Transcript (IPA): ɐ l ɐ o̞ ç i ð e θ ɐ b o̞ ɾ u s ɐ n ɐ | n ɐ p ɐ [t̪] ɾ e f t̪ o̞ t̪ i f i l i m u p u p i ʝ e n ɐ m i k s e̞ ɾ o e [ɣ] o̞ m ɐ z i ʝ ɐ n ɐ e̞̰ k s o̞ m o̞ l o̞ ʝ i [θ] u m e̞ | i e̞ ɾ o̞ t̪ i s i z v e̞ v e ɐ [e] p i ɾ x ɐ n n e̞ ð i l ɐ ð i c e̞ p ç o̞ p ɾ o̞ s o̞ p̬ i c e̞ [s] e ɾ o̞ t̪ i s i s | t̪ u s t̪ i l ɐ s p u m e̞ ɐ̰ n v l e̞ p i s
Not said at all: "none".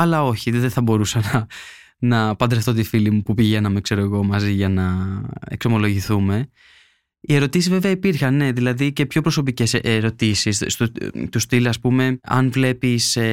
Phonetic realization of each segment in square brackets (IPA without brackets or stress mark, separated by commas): d̪, ɣ, θ, i, s